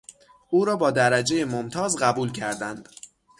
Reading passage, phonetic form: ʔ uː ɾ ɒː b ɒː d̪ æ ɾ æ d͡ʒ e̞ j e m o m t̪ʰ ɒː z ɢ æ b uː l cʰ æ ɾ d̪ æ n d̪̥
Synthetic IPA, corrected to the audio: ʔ uː ɾ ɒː b ɒː d̪ æ ɾ æ d͡ʒ e̞ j e m o m t̪ʰ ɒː z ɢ æ b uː l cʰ æ ɾ d̪ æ n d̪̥

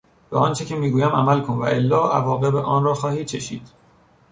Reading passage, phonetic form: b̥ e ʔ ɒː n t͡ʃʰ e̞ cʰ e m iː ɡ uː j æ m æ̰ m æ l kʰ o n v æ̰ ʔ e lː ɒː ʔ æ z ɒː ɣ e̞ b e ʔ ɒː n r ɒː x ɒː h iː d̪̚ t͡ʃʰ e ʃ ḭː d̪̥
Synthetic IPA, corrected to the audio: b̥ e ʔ ɒː n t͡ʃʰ e̞ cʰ e m iː ɡ uː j æ m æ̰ m æ l kʰ o n v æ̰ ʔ e lː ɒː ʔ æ v ɒː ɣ e̞ b e ʔ ɒː n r ɒː x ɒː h iː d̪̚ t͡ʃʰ e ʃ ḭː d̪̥

